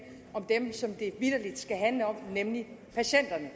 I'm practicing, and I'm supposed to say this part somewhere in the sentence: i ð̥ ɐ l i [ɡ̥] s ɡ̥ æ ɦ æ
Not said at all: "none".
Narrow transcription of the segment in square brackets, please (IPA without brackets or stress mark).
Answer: d̥